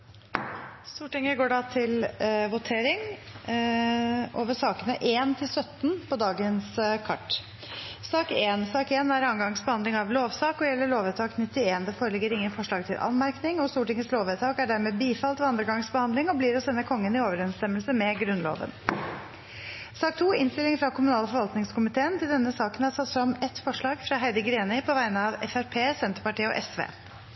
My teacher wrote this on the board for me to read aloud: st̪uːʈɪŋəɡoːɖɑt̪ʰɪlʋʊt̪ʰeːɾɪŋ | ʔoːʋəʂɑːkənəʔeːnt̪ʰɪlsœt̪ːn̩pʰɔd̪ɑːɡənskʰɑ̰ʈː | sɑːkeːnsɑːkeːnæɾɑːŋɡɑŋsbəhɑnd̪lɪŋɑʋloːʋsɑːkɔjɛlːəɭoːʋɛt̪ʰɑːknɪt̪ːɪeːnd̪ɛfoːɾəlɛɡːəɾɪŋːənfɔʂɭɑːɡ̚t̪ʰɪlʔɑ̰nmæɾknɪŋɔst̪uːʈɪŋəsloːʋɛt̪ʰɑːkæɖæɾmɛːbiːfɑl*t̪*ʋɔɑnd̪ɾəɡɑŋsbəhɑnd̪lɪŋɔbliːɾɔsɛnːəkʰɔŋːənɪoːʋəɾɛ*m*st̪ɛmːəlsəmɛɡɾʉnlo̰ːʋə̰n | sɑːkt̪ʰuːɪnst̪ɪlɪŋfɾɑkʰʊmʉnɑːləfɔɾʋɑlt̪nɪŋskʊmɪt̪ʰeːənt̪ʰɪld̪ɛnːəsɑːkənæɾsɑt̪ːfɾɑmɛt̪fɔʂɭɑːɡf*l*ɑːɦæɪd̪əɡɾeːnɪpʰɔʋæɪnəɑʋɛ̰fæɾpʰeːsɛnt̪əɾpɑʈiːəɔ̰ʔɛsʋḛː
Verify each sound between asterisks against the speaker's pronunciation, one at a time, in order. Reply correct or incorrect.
correct, incorrect: n, incorrect: ɾ

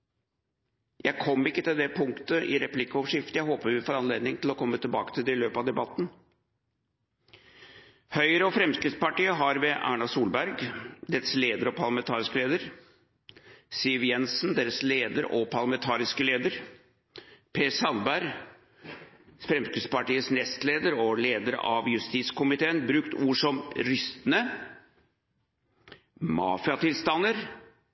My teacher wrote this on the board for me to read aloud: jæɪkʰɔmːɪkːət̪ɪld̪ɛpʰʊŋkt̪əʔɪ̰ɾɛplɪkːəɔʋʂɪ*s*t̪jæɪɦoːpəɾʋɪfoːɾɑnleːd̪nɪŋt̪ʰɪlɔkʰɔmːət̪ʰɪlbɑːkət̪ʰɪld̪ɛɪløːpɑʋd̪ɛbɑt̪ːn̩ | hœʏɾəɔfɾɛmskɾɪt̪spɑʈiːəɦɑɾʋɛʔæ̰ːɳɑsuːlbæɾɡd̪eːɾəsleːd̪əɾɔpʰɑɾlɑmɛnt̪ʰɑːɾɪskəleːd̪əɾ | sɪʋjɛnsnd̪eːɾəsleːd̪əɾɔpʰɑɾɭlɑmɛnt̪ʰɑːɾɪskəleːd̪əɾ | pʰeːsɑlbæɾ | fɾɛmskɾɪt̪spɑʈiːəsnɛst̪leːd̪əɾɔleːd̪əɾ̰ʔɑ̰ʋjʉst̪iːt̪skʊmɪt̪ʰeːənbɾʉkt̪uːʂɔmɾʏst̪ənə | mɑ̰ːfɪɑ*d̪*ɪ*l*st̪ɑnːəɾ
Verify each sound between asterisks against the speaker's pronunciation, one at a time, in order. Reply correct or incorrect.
incorrect: f, incorrect: t̪, correct

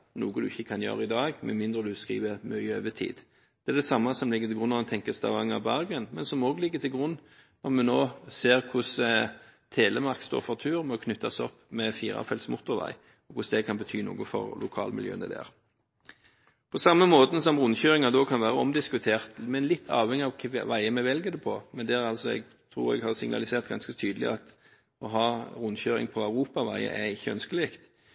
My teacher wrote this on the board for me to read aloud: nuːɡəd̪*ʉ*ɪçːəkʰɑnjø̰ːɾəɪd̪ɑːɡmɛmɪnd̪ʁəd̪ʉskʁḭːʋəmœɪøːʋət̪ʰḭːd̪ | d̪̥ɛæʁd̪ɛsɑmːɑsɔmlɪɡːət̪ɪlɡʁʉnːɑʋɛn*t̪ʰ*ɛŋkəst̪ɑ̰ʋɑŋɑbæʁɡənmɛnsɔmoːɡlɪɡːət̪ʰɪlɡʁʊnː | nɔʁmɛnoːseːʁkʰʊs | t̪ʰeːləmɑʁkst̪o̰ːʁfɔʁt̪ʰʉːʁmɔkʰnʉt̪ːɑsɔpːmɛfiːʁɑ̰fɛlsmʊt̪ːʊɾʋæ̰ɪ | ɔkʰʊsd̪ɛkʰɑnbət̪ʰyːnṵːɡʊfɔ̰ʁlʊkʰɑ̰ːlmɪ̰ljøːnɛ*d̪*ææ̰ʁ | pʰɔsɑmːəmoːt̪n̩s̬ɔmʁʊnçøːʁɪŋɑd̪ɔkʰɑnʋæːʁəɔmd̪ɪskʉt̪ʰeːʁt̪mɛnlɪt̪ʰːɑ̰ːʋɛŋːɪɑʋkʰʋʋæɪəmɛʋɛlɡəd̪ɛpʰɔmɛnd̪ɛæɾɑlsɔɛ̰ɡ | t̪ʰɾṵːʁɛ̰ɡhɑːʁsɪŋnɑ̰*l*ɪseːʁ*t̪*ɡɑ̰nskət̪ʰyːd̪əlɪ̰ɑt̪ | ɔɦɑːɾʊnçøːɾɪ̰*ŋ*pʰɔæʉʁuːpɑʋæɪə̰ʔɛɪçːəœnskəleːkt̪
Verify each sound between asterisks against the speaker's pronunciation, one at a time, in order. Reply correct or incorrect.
correct, correct, correct, correct, correct, correct

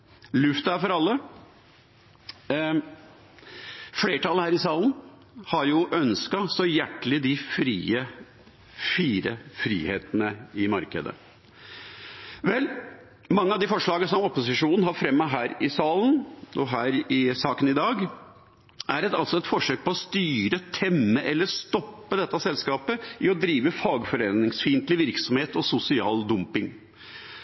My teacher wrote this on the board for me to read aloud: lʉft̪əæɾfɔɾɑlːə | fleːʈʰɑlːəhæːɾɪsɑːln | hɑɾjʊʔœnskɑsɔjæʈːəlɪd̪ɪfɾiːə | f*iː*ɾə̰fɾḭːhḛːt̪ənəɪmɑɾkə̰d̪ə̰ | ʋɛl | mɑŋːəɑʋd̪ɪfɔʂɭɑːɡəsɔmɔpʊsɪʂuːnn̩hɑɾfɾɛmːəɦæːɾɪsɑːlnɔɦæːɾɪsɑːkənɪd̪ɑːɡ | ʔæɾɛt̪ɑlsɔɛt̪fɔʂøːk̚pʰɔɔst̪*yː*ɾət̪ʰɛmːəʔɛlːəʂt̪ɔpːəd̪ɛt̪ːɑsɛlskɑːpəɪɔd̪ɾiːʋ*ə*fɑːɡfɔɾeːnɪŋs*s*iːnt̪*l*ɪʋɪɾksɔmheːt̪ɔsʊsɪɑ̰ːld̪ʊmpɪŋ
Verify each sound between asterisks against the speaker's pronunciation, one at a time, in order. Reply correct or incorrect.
correct, correct, correct, incorrect: f, correct

